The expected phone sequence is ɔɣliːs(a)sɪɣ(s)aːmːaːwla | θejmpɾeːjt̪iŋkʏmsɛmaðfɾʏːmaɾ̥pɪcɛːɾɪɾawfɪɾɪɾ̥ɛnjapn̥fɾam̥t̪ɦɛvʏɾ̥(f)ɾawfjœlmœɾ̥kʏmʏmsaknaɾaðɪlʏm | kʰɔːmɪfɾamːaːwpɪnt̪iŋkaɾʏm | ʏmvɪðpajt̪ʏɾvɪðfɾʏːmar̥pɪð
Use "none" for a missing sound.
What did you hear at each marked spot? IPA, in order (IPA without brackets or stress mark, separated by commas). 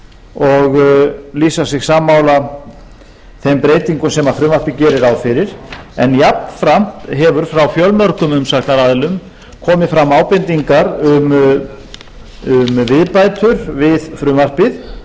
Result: a, s, f